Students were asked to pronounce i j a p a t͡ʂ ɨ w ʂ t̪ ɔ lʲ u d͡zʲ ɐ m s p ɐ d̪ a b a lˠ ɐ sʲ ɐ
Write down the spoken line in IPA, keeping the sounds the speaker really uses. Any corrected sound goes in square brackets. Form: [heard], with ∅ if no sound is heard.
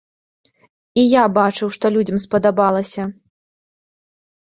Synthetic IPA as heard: i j a [b] a t͡ʂ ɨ w ʂ t̪ ɔ lʲ u d͡zʲ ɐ m s p ɐ d̪ a b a lˠ ɐ sʲ ɐ

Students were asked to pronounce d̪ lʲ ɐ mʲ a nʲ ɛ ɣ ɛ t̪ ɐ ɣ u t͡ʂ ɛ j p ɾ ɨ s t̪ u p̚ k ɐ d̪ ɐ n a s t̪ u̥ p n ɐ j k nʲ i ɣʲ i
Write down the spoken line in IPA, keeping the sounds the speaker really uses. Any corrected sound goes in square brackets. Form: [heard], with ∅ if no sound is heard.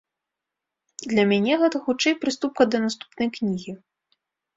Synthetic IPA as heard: d̪ lʲ ɐ mʲ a nʲ ɛ ɣ ɛ t̪ ɐ [x] u t͡ʂ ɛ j p ɾ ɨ s t̪ u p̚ k ɐ d̪ ɐ n a s t̪ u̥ p n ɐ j k nʲ i ɣʲ i

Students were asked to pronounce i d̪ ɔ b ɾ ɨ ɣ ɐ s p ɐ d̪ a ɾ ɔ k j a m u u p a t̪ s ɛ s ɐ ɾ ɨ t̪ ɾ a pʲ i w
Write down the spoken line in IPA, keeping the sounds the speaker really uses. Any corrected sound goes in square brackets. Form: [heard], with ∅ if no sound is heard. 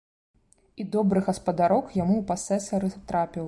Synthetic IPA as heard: i d̪ ɔ b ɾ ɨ ɣ ɐ s p ɐ d̪ a ɾ ɔ k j a m u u p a [∅] s ɛ s ɐ ɾ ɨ t̪ ɾ a pʲ i w

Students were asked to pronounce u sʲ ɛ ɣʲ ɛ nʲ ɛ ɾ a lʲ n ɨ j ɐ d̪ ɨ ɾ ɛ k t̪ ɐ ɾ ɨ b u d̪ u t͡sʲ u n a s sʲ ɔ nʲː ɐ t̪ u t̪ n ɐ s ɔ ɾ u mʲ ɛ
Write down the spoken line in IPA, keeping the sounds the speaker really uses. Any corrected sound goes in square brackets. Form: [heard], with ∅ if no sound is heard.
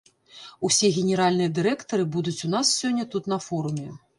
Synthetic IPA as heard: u sʲ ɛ ɣʲ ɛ nʲ ɛ ɾ a lʲ n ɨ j ɐ d̪ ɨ ɾ ɛ k t̪ ɐ ɾ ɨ b u d̪ u t͡sʲ u n a s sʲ ɔ nʲː ɐ t̪ u t̪ n ɐ [f] ɔ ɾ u mʲ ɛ

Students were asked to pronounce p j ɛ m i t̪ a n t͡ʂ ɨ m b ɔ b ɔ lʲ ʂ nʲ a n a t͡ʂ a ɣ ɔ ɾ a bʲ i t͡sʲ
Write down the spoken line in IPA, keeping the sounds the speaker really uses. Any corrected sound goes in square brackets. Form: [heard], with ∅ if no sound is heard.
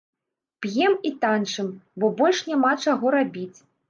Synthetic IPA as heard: p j ɛ m i t̪ a n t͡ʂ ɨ m b ɔ b ɔ lʲ ʂ nʲ a [m] a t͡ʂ a ɣ ɔ ɾ a bʲ i t͡sʲ

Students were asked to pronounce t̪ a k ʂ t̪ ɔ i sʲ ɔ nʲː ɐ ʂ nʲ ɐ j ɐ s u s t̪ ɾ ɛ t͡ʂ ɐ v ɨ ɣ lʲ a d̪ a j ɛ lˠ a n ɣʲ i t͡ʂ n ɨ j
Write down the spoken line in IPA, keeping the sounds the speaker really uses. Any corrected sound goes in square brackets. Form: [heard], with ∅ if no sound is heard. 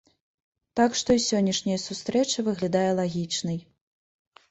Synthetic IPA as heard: t̪ a k ʂ t̪ ɔ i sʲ ɔ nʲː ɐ ʂ nʲ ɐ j ɐ s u s t̪ ɾ ɛ t͡ʂ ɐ v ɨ ɣ lʲ a d̪ a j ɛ lˠ a [∅] ɣʲ i t͡ʂ n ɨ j

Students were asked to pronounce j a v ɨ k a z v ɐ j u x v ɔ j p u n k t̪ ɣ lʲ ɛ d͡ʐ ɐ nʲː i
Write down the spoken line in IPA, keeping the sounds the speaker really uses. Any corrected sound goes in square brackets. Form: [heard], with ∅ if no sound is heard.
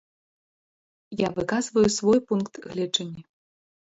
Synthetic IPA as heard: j a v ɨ k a z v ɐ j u [s] v ɔ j p u n k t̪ ɣ lʲ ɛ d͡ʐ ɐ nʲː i

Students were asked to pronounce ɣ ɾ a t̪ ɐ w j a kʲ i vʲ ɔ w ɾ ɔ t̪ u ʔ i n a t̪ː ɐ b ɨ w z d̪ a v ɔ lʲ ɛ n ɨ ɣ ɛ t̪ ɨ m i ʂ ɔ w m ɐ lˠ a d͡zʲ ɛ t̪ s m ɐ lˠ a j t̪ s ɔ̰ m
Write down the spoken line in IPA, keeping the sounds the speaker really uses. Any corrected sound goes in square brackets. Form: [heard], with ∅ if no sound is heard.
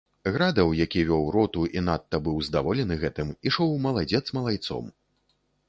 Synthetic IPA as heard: ɣ ɾ a [d̪] ɐ w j a kʲ i vʲ ɔ w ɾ ɔ t̪ u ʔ i n a t̪ː ɐ b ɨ w z d̪ a v ɔ lʲ ɛ n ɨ ɣ ɛ t̪ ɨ m i ʂ ɔ w m ɐ lˠ a d͡zʲ ɛ t̪ s m ɐ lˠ a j t̪ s ɔ̰ m

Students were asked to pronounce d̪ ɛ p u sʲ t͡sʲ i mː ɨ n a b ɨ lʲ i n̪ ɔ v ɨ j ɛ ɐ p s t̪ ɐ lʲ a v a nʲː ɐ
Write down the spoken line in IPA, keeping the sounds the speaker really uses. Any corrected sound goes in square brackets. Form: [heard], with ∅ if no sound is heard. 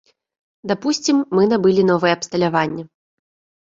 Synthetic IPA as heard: d̪ [a] p u sʲ t͡sʲ i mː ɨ n a b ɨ lʲ i n̪ ɔ v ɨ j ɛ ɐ p s t̪ ɐ lʲ a v a nʲː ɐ

